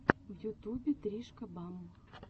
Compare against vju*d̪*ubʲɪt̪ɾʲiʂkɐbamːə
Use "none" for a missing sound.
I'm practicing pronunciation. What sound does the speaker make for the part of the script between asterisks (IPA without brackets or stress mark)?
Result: t̪